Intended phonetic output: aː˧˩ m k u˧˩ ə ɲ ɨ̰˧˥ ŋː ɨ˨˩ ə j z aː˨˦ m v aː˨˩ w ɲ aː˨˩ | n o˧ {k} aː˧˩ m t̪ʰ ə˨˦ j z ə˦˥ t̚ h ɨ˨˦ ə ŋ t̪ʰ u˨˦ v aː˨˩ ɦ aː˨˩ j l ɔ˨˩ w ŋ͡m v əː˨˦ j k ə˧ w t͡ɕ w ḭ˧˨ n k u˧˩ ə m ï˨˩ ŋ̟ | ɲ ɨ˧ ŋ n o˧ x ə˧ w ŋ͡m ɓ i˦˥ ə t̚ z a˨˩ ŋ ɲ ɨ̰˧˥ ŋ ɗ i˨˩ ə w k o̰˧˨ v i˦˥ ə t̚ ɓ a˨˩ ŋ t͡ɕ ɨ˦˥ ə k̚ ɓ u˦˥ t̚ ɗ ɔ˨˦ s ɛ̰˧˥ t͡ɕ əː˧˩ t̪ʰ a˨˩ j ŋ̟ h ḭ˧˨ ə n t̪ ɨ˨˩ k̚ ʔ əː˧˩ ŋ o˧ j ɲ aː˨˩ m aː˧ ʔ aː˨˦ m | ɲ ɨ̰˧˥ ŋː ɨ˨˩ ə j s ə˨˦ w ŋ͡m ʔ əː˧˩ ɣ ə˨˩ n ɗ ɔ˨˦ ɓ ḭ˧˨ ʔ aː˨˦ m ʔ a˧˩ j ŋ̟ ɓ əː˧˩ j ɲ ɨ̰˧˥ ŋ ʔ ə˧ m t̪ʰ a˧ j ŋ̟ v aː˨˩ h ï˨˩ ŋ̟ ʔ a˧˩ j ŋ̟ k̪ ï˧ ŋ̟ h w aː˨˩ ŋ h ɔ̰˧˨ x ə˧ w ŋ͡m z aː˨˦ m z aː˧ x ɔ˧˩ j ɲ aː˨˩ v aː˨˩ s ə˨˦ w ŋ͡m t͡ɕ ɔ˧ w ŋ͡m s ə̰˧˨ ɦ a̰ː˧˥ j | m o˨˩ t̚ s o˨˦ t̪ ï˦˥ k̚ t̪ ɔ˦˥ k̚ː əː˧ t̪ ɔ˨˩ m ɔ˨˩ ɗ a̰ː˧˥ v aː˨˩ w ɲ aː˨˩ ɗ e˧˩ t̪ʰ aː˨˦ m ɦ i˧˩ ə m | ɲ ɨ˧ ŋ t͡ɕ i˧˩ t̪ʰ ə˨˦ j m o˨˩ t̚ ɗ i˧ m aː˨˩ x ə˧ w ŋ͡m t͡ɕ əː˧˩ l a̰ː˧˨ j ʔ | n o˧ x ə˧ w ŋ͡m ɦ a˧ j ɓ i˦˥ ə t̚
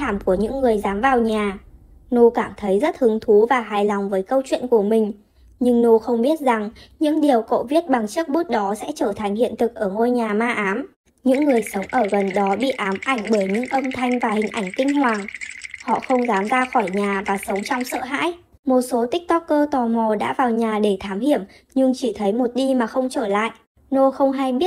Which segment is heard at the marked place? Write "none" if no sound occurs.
k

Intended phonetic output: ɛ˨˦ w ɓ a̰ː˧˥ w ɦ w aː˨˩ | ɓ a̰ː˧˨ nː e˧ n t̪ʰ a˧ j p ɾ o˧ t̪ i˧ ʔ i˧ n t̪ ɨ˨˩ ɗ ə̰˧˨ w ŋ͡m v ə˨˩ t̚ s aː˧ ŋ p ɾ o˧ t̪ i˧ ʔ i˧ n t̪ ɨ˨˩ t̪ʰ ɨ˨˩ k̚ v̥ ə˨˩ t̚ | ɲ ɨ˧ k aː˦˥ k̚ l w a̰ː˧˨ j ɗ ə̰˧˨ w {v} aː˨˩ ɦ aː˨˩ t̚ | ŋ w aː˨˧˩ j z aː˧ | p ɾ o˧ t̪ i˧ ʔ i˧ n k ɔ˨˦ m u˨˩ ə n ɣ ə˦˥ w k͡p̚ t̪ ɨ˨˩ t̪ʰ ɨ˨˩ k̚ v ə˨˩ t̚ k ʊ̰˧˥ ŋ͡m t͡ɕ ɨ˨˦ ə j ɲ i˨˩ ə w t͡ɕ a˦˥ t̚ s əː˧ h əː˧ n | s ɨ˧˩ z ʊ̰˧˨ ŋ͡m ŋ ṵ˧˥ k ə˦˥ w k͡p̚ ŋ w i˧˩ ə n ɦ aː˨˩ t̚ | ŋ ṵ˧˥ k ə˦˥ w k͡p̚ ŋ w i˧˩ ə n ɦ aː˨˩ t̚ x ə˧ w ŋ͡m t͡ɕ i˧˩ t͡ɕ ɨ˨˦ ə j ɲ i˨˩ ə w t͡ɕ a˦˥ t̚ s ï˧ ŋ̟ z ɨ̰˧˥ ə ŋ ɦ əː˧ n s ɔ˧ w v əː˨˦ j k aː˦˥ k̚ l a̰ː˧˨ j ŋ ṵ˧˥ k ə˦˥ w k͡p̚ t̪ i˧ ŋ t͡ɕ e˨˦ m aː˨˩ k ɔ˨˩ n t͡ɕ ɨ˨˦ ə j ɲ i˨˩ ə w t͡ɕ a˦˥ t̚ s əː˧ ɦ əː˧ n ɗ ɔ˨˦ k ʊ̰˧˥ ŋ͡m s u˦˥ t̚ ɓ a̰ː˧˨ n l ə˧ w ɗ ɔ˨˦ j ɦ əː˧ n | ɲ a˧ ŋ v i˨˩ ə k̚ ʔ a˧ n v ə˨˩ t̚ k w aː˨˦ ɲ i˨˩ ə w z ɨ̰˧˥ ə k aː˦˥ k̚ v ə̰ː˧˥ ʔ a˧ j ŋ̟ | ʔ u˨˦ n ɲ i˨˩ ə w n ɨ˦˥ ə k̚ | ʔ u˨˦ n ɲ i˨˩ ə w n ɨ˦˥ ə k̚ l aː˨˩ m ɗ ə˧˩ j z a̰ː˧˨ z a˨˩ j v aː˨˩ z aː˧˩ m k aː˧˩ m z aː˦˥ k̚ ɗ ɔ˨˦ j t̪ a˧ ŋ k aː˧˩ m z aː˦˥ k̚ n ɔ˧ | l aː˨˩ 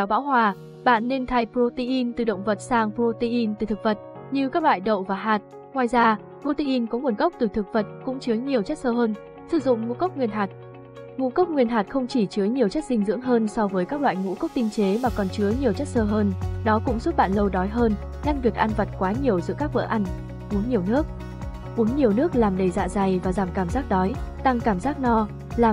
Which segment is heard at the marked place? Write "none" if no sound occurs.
v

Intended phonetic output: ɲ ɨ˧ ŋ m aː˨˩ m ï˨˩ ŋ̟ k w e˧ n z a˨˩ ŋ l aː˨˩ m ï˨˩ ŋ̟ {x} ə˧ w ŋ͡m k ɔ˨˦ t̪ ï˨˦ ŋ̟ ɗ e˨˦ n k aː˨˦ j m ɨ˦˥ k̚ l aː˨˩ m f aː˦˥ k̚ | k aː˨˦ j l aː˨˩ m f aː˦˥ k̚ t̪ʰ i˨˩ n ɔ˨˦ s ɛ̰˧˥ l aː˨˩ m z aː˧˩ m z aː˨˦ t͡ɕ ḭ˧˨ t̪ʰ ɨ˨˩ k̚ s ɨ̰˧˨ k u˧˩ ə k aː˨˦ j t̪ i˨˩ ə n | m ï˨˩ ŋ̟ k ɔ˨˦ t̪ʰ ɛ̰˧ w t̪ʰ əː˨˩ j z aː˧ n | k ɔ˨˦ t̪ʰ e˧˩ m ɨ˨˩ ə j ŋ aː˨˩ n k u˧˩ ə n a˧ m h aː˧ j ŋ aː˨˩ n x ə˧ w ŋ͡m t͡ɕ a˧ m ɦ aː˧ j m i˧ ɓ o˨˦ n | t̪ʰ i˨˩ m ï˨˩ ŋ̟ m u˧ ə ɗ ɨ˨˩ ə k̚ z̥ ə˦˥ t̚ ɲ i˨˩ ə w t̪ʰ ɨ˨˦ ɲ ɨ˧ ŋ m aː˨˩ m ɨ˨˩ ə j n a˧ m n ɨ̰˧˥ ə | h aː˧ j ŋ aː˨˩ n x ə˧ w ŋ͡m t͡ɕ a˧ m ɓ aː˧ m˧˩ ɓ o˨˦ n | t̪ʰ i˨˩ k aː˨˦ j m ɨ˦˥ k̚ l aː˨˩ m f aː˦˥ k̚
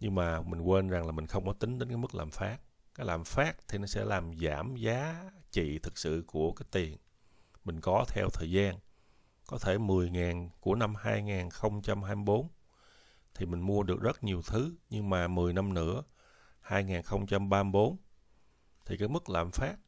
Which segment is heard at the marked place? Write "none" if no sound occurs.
x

